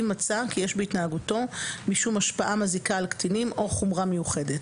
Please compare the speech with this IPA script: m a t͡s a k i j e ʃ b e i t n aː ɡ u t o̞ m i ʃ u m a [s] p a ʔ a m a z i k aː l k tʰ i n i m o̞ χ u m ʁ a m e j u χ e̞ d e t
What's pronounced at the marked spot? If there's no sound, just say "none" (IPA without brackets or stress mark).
ʃ